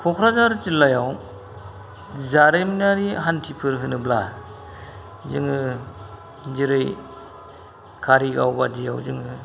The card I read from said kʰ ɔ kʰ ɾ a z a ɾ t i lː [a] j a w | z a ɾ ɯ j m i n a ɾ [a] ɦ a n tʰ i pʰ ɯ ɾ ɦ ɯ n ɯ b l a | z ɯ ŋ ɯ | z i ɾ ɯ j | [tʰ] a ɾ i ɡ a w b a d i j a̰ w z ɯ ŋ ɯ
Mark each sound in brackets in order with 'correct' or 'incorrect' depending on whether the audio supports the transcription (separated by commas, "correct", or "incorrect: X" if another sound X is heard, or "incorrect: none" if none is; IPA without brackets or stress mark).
correct, incorrect: i, incorrect: kʰ